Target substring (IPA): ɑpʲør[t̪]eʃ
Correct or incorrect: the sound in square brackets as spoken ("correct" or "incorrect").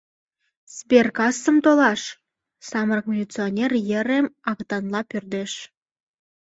incorrect